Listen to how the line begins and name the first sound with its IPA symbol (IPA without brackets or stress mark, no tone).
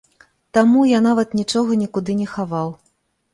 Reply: t̪